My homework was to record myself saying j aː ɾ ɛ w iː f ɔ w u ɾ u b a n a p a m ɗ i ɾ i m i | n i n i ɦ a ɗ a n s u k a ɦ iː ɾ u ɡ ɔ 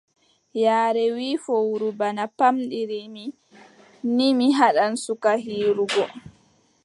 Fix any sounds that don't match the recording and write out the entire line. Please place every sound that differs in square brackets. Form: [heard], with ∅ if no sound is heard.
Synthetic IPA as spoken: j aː ɾ ɛ w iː f ɔ w u ɾ u b a n a p a m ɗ i ɾ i m i | n i [m] i ɦ a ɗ a n s u k a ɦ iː ɾ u ɡ ɔ